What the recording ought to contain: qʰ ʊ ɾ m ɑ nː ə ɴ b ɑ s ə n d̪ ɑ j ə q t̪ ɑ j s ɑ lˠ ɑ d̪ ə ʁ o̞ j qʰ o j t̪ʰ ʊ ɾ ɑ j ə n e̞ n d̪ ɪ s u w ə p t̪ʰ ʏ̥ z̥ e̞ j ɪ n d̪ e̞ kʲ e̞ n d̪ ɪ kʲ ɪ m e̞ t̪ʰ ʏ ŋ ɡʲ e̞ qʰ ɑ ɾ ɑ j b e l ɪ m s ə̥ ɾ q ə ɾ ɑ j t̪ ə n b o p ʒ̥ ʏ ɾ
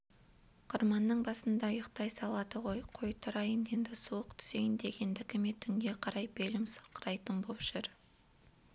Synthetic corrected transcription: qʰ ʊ ɾ m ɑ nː ə ɴ b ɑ s ə n d̪ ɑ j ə q t̪ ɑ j s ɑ lˠ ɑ d̪ ə ʁ o̞ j qʰ o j t̪ʰ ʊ ɾ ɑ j ə n e̞ n d̪ ɪ s u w ə q t̪ʰ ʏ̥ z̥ e̞ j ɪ n d̪ e̞ ɡʲ e̞ n d̪ ɪ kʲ ɪ m e̞ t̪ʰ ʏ ŋ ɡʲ e̞ qʰ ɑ ɾ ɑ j b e l ɪ m s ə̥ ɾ q ə ɾ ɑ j t̪ ə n b o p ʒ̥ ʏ ɾ